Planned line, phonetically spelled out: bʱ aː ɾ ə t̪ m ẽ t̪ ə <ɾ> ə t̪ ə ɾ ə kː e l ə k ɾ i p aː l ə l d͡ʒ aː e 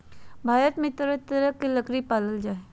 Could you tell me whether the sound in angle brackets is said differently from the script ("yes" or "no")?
no